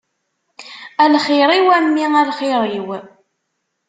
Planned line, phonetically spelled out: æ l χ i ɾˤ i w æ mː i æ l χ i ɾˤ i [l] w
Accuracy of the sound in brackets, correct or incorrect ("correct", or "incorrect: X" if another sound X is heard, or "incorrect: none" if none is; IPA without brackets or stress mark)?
incorrect: none